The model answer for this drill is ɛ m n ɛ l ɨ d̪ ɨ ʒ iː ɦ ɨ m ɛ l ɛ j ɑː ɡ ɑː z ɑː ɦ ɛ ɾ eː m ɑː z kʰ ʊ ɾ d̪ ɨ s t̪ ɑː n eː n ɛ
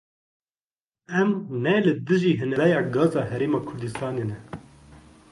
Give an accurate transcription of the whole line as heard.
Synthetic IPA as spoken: ɛ m n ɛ l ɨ d̪ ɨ ʒ iː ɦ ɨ n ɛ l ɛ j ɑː ɡ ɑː z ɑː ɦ ɛ ɾ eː m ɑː kʰ ʊ ɾ d̪ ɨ s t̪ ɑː n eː n ɛ